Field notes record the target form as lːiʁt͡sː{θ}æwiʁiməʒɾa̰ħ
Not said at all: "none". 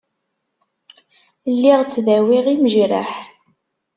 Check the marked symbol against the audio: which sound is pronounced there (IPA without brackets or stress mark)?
ð